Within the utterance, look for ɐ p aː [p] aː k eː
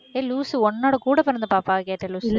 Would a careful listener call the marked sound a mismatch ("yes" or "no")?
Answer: no